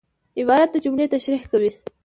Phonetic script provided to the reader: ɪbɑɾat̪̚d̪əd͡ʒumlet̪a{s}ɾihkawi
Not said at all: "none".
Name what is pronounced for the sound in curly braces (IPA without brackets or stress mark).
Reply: ʃ